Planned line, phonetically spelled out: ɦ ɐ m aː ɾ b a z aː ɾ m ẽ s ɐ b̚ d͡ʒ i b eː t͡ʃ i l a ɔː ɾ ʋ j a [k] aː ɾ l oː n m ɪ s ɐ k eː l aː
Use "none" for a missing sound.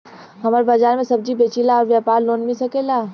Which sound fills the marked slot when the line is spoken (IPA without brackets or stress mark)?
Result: p